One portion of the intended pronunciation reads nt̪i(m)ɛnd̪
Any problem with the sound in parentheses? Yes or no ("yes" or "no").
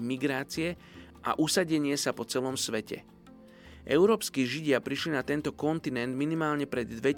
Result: yes